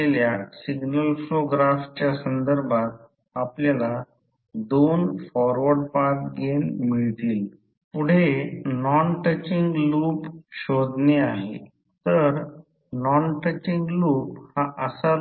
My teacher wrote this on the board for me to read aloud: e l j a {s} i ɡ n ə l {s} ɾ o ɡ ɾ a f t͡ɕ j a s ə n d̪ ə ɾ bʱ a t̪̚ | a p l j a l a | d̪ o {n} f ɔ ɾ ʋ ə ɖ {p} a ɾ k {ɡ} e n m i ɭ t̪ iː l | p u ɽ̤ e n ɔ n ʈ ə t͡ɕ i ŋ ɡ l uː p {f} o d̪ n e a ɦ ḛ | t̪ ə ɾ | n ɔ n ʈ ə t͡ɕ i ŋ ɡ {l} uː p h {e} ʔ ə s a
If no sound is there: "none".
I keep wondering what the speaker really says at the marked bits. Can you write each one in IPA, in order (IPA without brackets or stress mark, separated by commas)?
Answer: s, f, n, p, ɡ, ɕ, l, a